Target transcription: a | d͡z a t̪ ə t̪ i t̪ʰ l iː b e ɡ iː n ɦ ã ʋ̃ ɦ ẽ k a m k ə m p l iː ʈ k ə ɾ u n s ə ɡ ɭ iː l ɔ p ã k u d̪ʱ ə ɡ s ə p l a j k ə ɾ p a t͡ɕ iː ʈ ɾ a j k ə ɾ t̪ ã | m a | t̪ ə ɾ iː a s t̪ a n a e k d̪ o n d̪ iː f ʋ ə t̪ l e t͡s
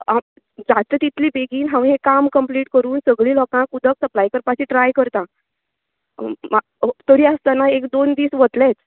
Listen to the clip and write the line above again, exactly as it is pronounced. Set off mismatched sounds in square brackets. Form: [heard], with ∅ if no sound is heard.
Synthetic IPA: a | d͡z a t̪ ə t̪ i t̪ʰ l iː b e ɡ iː n ɦ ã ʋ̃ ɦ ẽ k a m k ə m p l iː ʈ k ə ɾ [uː] n s ə ɡ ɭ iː l ɔ [k] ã k u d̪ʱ ə [k] s ə p l a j k ə ɾ p a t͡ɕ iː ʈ ɾ a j k ə ɾ t̪ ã | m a | t̪ ə ɾ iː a s t̪ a n a e k d̪ o n d̪ iː [s] ʋ ə t̪ l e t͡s